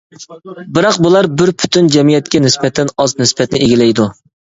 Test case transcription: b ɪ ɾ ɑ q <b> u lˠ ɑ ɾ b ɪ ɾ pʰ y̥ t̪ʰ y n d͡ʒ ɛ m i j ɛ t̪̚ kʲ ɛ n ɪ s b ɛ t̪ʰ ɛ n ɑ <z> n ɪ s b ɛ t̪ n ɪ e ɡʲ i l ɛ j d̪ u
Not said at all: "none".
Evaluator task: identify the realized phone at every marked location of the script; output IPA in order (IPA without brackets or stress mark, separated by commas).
b, z